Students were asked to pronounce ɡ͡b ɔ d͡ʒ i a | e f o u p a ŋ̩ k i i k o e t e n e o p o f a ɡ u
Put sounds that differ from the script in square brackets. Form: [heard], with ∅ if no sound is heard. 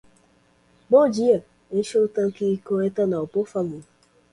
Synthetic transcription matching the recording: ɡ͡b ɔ d͡ʒ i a | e [ʃ] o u [t] a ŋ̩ k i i k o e t [a] n [a] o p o f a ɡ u

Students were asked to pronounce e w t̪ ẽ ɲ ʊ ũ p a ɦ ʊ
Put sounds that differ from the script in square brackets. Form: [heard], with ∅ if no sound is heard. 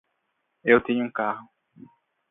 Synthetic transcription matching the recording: e w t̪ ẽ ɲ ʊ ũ [k] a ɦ ʊ

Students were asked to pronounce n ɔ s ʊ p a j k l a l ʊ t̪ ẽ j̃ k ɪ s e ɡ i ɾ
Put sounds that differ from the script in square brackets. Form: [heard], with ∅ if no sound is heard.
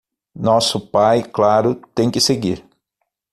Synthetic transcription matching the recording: n ɔ s ʊ p a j k l a [ɾ] ʊ t̪ ẽ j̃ k ɪ s e ɡ i ɾ

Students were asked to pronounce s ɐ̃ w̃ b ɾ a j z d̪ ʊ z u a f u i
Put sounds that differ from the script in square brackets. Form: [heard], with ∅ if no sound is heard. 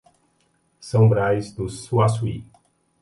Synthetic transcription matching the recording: s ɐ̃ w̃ b ɾ a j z d̪ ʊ [s] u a [s] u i

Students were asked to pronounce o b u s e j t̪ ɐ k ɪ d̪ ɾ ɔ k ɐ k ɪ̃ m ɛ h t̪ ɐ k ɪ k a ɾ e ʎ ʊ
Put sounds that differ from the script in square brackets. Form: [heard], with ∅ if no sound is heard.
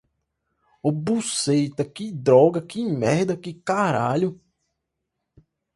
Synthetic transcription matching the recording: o b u s e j t̪ ɐ k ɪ d̪ ɾ ɔ [ɡ] ɐ k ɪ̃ m ɛ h [d̪] ɐ k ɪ k a ɾ [a] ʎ ʊ

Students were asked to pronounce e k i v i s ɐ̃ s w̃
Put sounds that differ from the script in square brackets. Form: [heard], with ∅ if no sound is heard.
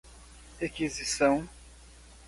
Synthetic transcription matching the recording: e k i [z] i s ɐ̃ [∅] w̃

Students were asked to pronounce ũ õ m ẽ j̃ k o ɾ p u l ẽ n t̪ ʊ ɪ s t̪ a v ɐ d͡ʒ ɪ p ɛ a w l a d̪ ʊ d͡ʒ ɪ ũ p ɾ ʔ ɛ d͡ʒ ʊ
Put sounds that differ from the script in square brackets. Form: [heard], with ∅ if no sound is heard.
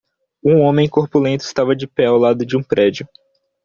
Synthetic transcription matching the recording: ũ õ m ẽ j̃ k o ɾ p u l ẽ n t̪ ʊ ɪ s t̪ a v ɐ d͡ʒ ɪ p ɛ a w l a d̪ ʊ d͡ʒ ɪ ũ p ɾ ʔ ɛ d͡ʒ ʊ

